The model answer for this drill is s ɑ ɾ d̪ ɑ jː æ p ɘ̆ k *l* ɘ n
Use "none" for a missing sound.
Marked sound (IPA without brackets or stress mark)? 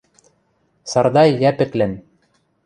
l